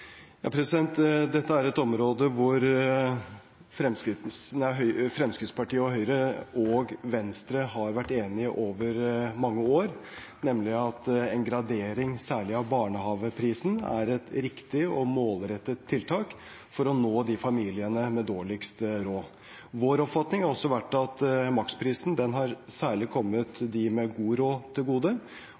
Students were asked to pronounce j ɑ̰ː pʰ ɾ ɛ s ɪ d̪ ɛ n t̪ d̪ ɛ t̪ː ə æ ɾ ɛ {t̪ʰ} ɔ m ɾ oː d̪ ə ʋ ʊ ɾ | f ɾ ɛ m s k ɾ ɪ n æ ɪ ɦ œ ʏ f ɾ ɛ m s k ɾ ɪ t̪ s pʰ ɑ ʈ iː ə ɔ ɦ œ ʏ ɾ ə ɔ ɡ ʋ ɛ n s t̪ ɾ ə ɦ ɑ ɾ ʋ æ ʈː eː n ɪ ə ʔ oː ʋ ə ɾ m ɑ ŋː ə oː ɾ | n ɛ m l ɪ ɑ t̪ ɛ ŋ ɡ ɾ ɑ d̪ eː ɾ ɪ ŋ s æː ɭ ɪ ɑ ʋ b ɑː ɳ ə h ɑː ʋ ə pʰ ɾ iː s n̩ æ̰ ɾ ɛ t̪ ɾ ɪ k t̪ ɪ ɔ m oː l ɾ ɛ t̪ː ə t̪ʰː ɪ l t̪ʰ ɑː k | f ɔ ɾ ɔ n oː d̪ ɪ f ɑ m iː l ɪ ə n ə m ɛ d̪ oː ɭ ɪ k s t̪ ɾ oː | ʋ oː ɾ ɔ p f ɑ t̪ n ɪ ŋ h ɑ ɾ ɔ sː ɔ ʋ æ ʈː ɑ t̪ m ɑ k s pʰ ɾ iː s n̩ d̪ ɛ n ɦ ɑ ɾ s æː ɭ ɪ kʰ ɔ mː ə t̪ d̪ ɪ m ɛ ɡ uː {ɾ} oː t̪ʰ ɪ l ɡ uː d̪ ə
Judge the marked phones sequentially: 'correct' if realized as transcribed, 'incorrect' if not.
incorrect: t̪, correct

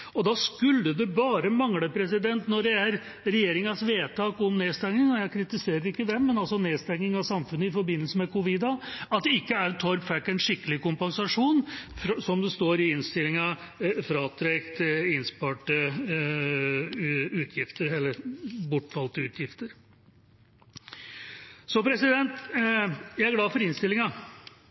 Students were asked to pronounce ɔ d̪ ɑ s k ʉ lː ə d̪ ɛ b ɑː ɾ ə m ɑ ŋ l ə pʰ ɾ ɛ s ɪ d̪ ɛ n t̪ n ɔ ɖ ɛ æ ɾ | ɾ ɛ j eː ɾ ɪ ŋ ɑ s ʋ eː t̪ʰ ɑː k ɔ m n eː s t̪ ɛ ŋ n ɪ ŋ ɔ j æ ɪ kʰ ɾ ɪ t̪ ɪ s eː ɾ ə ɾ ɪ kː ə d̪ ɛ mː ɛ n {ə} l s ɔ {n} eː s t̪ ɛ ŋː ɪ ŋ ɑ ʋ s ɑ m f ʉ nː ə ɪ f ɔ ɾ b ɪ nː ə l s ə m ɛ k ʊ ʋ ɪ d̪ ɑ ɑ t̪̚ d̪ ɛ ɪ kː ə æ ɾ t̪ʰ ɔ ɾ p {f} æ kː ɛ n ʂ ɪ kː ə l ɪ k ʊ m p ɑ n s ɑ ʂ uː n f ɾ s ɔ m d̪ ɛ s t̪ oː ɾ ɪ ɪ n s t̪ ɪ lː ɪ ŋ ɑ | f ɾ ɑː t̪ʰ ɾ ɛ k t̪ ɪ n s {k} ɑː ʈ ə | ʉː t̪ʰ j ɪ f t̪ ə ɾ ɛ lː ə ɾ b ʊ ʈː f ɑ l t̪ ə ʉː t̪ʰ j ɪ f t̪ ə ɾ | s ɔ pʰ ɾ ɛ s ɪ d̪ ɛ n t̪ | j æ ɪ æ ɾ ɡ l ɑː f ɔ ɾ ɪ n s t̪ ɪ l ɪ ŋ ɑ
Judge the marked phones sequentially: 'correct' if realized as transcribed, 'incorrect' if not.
incorrect: ɑ, correct, correct, incorrect: p

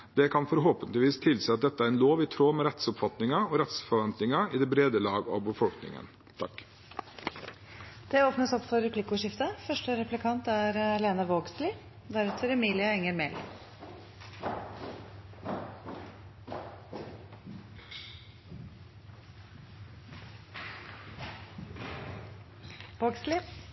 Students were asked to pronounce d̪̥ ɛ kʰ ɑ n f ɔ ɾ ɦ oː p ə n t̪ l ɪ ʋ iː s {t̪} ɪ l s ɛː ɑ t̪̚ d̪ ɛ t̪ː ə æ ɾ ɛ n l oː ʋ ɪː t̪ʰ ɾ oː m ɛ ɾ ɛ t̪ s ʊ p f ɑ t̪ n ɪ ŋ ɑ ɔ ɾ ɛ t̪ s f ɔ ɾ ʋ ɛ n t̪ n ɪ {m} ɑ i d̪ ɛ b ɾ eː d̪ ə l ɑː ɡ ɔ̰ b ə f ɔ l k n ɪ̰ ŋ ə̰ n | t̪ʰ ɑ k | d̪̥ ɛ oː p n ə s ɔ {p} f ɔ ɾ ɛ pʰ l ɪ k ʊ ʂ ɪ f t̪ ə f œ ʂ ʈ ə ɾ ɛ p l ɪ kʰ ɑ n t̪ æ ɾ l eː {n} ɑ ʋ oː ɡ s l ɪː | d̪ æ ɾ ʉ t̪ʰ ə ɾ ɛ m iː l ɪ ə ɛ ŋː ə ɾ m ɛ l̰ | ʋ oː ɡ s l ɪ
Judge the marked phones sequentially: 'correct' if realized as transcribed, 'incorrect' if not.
incorrect: t̪ʰ, incorrect: ŋ, correct, correct

